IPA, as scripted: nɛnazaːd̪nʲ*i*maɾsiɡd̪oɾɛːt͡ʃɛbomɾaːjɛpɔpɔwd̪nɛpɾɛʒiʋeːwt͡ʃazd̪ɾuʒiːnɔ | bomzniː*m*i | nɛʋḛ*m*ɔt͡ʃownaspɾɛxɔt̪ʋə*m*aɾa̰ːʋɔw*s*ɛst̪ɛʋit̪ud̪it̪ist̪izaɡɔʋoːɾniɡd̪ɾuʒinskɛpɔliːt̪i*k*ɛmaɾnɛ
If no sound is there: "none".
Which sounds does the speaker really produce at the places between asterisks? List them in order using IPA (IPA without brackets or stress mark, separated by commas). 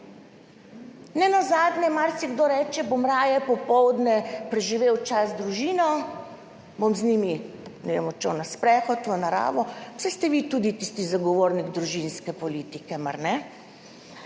ɛ, m, m, n, s, k